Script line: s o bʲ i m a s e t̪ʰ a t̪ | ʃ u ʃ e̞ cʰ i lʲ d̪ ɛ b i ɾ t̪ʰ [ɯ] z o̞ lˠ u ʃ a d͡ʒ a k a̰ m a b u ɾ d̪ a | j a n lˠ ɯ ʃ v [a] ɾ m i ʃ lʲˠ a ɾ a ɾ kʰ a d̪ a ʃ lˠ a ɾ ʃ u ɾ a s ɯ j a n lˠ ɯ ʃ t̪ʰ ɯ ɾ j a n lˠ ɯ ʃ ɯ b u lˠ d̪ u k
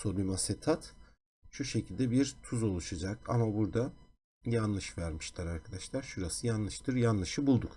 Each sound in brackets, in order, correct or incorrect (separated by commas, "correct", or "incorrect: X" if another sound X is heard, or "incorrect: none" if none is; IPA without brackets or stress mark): incorrect: u, incorrect: æ